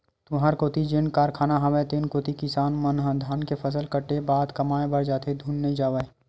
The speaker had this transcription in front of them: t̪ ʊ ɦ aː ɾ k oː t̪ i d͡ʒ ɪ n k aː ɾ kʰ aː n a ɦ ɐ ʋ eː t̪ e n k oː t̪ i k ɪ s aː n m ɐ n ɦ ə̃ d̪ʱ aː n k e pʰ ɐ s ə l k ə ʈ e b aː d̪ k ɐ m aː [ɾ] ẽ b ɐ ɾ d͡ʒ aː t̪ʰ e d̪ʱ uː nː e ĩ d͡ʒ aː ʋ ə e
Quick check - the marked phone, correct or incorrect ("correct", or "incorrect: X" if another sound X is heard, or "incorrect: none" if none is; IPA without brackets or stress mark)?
incorrect: none